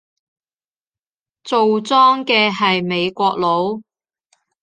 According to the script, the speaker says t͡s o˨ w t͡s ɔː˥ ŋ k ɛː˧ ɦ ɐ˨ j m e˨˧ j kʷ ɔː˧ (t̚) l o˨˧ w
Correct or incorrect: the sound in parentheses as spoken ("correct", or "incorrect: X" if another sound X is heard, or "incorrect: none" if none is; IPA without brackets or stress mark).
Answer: incorrect: k̚